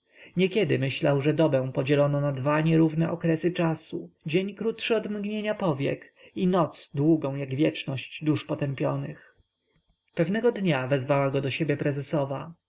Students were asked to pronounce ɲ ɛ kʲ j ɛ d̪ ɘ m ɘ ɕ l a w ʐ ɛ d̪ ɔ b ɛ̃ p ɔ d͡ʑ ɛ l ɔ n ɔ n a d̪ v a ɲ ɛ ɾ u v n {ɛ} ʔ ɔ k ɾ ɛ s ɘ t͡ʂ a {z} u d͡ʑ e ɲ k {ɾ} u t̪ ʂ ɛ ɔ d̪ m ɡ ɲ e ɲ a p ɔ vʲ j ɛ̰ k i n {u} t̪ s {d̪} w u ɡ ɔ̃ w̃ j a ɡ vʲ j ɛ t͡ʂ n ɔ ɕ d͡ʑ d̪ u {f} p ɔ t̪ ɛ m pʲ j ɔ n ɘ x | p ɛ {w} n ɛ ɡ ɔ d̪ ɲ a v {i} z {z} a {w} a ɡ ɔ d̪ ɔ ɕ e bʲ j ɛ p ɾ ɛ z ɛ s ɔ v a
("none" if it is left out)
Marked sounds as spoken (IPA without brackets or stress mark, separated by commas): ɛ, s, ɾ, ɔ, d̪, ʂ, v, ɛ, v, w